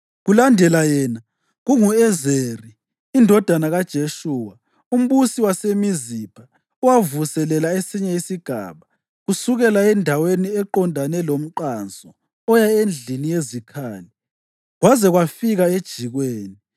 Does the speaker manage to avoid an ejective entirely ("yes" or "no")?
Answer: yes